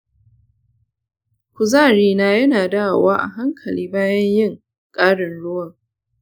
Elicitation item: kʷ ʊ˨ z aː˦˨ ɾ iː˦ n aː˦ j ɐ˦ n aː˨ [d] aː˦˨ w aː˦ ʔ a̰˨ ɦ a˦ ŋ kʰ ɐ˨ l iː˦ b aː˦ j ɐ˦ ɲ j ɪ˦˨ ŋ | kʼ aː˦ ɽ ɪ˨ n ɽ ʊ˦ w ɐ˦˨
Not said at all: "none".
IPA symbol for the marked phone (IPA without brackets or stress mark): d